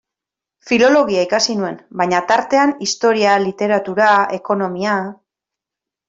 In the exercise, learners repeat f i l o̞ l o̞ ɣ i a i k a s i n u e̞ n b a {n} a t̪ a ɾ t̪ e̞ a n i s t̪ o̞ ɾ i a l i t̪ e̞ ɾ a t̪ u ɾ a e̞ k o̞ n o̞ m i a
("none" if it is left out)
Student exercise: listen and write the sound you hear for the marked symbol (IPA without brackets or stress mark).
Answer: ɲ